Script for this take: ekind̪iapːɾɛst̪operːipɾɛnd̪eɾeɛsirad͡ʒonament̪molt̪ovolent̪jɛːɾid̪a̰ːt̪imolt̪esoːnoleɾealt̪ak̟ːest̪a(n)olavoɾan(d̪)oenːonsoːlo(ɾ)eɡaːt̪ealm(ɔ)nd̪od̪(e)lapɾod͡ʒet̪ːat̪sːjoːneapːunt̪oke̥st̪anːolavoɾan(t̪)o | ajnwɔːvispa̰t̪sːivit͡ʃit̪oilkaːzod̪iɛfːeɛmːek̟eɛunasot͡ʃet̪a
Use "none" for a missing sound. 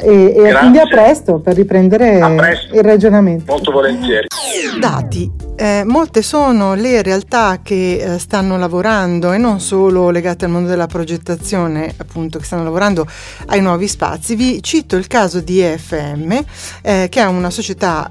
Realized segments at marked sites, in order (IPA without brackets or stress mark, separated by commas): nː, d̪, l, o, e, d̪